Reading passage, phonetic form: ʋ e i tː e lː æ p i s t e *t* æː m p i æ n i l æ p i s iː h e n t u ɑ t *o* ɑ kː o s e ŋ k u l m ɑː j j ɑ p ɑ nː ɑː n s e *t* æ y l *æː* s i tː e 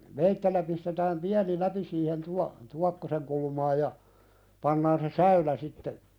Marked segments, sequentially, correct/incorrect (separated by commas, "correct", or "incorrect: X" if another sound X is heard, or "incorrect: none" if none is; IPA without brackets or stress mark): correct, incorrect: u, incorrect: s, incorrect: æ